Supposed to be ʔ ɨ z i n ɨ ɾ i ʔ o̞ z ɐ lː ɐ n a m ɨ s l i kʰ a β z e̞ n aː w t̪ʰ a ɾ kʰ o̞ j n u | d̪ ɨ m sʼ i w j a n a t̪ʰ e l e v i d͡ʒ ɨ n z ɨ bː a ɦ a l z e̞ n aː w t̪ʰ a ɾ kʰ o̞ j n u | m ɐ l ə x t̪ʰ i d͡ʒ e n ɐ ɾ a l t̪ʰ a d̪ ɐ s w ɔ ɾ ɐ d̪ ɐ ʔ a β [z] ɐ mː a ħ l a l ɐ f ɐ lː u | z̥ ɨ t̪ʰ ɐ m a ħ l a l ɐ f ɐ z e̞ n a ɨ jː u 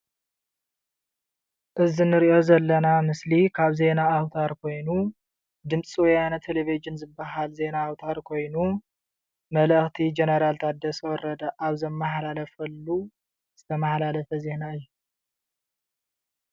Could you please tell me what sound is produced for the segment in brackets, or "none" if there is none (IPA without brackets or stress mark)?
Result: z